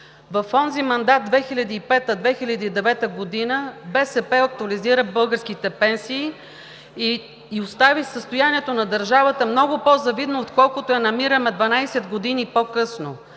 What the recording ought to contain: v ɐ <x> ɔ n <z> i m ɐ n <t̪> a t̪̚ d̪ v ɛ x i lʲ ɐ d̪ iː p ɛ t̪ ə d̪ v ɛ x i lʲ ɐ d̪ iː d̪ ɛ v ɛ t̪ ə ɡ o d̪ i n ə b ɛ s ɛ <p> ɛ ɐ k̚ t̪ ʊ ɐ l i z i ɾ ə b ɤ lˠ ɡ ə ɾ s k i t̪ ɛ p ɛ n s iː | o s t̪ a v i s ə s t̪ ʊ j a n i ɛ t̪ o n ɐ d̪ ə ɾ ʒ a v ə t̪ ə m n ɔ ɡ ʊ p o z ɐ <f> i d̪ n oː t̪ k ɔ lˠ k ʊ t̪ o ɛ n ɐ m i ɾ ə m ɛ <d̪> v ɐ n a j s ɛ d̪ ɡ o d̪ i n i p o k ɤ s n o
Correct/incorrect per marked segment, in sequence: incorrect: f, correct, incorrect: d̪, correct, incorrect: v, correct

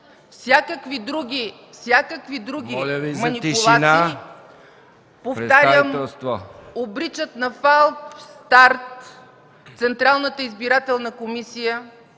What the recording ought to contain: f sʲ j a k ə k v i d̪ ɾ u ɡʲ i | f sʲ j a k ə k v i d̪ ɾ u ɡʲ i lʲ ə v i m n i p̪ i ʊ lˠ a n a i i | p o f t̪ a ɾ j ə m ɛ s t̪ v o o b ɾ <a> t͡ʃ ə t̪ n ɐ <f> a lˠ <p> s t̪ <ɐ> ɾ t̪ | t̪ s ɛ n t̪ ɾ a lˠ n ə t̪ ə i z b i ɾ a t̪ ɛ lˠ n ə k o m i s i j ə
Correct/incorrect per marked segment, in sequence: incorrect: i, correct, correct, incorrect: a

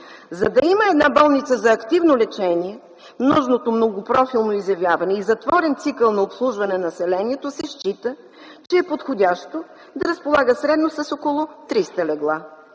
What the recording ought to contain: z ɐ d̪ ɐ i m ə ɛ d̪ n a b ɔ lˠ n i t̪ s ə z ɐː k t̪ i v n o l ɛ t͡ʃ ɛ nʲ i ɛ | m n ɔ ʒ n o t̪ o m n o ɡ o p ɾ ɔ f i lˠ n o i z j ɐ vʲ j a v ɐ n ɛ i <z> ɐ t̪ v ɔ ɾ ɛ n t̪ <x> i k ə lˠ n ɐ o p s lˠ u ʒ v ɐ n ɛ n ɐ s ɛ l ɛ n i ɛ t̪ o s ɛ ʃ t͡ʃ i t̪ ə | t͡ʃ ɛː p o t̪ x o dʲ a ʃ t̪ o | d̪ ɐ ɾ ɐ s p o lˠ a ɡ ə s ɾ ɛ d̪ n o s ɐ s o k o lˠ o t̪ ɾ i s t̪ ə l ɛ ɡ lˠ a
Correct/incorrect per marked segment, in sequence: correct, incorrect: s

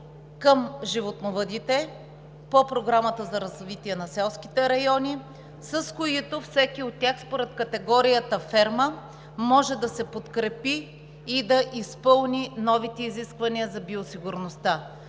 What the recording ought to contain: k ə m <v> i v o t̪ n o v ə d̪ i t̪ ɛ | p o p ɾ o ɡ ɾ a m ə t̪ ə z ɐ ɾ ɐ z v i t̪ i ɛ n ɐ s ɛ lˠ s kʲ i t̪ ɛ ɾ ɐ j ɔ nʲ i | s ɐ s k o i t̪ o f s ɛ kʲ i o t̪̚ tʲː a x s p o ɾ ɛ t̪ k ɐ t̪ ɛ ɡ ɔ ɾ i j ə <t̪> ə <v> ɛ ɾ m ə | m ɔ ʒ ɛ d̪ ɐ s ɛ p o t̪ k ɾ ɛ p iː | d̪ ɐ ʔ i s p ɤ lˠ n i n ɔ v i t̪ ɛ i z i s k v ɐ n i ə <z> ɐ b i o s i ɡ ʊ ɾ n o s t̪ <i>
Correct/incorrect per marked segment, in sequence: incorrect: ʒ, correct, incorrect: f, correct, incorrect: a

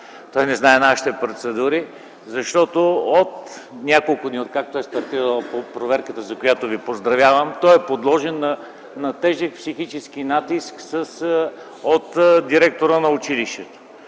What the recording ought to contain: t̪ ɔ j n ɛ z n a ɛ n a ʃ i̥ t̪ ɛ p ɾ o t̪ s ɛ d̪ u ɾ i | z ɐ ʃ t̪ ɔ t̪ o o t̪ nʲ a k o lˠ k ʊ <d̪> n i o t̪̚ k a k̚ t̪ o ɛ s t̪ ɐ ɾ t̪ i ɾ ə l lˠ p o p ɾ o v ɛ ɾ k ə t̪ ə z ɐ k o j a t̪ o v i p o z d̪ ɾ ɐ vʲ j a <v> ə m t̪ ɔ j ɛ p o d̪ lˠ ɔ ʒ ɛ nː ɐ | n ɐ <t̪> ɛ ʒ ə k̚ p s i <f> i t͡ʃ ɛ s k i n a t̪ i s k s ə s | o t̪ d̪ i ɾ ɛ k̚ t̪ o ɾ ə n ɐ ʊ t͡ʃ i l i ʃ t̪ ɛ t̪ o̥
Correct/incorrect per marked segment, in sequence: correct, correct, correct, incorrect: x

